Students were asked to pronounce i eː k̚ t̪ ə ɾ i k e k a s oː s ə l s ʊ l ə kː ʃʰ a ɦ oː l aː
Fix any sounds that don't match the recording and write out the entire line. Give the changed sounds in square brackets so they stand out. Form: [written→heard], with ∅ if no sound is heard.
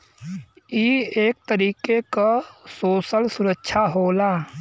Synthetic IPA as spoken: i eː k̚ t̪ ə ɾ [i→iː] k e k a s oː s ə l s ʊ [l→ɾ] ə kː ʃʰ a ɦ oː l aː